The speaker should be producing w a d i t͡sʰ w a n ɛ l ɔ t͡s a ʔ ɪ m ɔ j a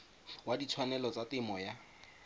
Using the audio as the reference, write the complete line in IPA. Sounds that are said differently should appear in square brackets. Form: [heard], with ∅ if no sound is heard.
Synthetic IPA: w a d i t͡sʰ w a n ɛ l ɔ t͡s a [t] ɪ m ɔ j a